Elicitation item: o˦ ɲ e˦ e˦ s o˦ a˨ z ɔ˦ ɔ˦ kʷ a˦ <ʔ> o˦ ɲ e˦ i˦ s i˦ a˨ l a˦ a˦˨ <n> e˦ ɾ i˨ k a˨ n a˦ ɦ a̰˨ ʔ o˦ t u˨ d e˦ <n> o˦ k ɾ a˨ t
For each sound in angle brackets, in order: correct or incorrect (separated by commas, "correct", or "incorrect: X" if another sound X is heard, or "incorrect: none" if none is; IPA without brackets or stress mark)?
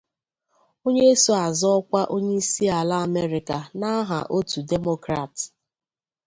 correct, incorrect: m, incorrect: m